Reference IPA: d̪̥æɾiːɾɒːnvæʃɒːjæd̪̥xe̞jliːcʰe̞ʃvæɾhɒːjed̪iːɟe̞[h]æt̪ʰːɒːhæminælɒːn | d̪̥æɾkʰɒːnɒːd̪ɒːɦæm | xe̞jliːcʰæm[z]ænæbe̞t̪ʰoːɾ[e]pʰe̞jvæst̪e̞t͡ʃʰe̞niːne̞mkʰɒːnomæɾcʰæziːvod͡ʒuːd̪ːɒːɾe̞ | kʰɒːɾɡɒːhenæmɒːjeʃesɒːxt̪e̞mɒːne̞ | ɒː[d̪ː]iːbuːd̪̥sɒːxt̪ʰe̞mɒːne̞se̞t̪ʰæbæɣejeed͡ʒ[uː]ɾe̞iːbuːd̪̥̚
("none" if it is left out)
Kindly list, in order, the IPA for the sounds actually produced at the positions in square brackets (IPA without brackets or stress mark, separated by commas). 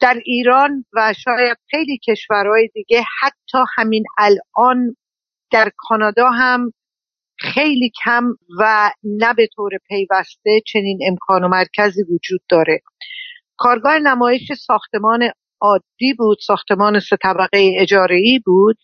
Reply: h, v, e, d̪ː, ɒː